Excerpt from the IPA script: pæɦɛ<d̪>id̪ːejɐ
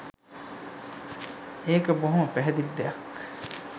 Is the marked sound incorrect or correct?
correct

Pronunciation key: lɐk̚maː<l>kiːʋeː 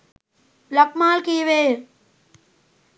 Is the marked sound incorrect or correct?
correct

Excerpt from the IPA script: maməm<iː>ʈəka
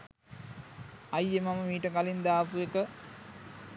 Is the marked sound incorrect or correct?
correct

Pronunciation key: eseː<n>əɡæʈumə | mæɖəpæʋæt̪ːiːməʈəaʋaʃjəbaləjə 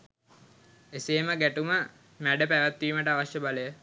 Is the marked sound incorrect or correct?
incorrect: m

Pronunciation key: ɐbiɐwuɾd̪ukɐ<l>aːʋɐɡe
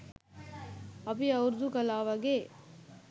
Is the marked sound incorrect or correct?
correct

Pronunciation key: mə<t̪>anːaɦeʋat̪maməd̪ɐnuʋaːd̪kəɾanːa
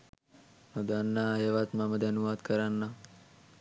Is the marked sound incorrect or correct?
incorrect: d̪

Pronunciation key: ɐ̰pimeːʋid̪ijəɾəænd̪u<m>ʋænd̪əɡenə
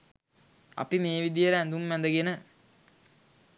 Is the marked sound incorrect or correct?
correct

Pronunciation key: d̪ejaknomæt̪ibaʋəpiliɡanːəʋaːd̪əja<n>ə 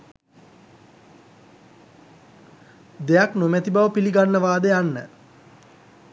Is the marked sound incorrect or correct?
incorrect: nː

